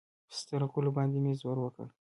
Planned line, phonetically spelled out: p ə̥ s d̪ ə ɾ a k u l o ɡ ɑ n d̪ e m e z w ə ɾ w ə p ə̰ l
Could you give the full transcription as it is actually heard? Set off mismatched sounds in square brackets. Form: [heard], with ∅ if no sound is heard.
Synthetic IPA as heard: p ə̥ s [t̪] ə ɾ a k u l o [b] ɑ n d̪ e m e z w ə ɾ w ə [k] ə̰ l